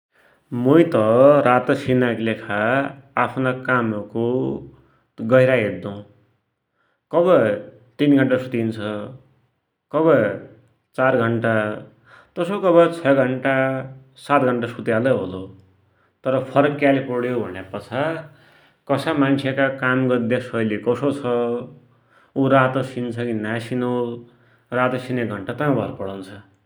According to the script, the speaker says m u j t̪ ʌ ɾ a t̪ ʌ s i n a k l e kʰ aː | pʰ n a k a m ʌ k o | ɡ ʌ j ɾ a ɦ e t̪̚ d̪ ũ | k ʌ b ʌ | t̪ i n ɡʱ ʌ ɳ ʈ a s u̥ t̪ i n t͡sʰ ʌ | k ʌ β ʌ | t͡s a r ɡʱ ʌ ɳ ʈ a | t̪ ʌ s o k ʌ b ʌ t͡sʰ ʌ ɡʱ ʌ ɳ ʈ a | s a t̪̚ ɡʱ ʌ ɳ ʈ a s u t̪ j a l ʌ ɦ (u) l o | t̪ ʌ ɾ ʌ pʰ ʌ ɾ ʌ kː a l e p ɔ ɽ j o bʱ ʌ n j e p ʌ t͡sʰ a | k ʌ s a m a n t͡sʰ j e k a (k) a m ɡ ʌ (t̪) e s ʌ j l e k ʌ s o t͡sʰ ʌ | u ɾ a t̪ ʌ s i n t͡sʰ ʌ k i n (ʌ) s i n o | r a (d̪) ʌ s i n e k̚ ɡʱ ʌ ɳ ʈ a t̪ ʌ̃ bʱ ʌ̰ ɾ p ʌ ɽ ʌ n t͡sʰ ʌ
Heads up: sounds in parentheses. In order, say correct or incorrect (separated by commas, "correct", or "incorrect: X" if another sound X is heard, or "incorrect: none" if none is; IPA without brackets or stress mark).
incorrect: o, correct, incorrect: d̪, incorrect: a, incorrect: t̪